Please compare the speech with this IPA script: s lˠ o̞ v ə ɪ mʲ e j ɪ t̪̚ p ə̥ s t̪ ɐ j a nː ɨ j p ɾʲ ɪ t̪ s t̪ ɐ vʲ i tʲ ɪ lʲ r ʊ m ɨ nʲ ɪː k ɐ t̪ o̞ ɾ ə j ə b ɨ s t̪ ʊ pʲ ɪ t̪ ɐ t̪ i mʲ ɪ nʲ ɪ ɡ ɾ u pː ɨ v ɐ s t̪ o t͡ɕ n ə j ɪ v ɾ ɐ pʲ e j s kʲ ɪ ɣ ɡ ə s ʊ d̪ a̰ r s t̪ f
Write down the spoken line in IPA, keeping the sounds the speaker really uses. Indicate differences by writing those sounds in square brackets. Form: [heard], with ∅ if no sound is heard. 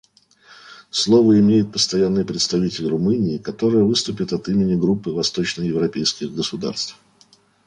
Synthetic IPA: s lˠ o̞ v ə ɪ mʲ e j ɪ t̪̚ p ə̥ s t̪ ɐ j a nː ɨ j p ɾʲ ɪ t̪ s t̪ ɐ vʲ i tʲ ɪ lʲ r ʊ m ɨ nʲ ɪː k ɐ t̪ o̞ ɾ ə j ə [v] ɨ s t̪ ʊ pʲ ɪ t̪ ɐ t̪ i mʲ ɪ nʲ ɪ ɡ ɾ u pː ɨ v ɐ s t̪ o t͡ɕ n ə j ɪ v ɾ ɐ pʲ e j s kʲ ɪ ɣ ɡ ə s ʊ d̪ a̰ r s t̪ f